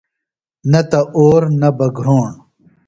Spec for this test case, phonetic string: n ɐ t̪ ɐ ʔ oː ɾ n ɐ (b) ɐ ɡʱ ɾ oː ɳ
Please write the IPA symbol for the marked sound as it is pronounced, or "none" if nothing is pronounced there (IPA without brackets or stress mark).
b